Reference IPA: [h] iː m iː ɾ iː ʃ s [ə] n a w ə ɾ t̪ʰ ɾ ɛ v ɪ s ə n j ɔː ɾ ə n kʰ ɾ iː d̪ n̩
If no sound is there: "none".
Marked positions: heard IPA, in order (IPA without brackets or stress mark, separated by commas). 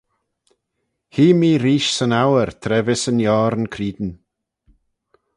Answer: h, ə